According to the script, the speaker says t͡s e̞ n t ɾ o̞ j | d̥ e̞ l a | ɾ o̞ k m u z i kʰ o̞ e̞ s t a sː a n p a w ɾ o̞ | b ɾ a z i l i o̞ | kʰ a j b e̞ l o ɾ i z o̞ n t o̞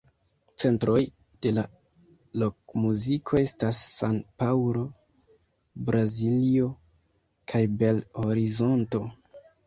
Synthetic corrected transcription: t͡s e̞ n t ɾ o̞ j | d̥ e̞ l a | l o̞ k m u z i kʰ o̞ e̞ s t a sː a n p a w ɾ o̞ | b ɾ a z i l i o̞ | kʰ a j b e̞ l o ɾ i z o̞ n t o̞